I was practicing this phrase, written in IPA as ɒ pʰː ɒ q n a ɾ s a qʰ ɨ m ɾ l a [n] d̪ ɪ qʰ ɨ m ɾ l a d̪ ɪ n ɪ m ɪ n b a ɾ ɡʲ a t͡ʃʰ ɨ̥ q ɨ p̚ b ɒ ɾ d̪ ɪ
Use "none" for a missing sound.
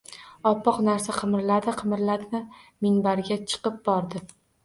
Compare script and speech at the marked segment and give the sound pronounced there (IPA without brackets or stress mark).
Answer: none